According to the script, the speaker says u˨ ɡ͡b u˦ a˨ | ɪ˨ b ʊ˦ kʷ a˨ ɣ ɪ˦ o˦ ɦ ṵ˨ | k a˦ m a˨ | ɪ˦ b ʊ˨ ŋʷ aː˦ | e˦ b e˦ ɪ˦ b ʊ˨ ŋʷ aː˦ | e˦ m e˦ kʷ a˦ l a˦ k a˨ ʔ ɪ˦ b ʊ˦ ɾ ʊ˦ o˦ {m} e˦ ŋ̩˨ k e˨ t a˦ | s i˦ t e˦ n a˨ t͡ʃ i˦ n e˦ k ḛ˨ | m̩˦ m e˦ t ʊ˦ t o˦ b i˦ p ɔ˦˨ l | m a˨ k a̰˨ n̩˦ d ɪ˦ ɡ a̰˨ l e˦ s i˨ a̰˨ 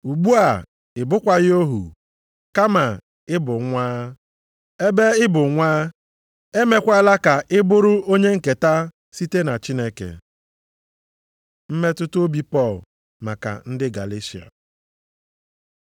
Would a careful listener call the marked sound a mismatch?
yes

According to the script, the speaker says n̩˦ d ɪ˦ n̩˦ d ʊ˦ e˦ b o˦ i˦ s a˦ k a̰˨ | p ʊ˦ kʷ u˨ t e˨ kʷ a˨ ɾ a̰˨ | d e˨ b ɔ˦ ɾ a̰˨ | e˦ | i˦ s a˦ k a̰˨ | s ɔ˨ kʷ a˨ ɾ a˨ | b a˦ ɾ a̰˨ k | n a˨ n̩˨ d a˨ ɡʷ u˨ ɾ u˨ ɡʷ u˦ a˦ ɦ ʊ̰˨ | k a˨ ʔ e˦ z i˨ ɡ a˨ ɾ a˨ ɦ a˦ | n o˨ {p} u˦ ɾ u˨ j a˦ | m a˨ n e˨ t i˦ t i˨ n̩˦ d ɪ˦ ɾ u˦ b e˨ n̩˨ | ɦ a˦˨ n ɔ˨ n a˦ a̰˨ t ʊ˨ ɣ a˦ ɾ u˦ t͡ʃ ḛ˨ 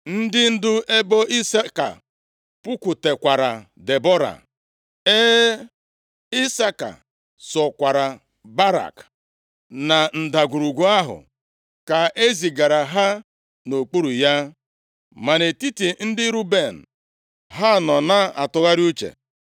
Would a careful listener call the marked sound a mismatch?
yes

